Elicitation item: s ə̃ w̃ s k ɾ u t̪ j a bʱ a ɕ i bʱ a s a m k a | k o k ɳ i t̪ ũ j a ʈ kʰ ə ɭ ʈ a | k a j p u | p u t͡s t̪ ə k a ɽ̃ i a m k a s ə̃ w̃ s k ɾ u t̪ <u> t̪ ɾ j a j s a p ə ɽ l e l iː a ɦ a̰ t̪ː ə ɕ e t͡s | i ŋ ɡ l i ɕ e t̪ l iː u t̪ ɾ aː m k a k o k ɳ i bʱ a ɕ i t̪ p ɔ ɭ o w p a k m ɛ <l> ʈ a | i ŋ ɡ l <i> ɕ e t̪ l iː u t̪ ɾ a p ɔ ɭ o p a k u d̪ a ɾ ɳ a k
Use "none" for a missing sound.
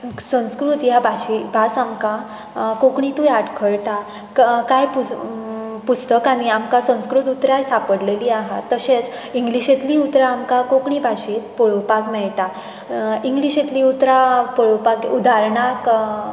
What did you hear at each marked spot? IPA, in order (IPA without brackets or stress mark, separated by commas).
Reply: u, ɭ, i